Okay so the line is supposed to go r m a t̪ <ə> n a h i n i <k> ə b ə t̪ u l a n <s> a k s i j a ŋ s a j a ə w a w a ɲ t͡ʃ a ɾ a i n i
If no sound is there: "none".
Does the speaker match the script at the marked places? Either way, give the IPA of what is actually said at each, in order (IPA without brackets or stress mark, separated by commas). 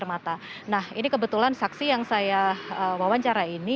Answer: a, k, s